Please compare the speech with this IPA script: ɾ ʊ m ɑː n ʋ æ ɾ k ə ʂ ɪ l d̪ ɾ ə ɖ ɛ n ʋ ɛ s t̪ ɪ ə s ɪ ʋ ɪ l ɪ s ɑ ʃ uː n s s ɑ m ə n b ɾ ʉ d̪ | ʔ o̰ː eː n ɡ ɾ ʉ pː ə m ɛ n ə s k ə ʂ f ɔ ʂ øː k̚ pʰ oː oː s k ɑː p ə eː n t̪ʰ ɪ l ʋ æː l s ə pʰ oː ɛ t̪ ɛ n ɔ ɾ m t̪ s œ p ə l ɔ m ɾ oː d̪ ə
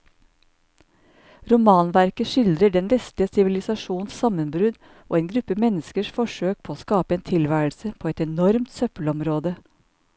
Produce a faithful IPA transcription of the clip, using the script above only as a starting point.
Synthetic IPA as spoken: ɾ ʊ m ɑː n ʋ æ ɾ k ə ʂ ɪ l d̪ ɾ ə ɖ ɛ n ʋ ɛ s t̪ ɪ ə s ɪ ʋ ɪ l ɪ s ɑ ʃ uː n s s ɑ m ə n b ɾ ʉ d̪ | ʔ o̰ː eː n ɡ ɾ ʉ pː ə m ɛ n ə s k ə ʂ f ɔ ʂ øː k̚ pʰ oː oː s k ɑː p ə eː n t̪ʰ ɪ l ʋ æː l s ə pʰ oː ɛ t̪ ɛ n ɔ ɾ m t̪ s œ p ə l ɔ m ɾ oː d̪ ə